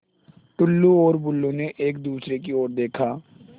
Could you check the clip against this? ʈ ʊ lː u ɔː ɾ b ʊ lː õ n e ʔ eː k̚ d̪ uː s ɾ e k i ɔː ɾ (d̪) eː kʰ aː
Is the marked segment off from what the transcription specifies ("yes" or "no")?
no